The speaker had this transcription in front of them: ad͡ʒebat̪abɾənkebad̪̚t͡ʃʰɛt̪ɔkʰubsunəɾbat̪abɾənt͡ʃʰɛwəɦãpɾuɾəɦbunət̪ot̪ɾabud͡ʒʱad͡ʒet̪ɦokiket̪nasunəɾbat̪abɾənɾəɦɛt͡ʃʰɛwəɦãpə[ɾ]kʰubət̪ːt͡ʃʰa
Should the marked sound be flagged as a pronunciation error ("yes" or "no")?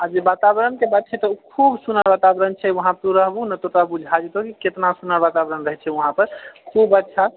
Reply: no